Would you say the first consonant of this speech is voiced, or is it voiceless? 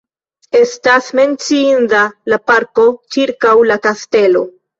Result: voiceless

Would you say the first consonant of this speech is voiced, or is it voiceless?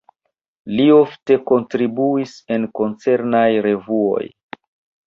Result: voiced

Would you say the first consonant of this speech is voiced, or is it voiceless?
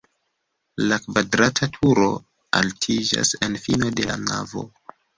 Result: voiced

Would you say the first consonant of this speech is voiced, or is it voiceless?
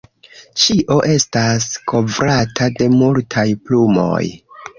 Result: voiceless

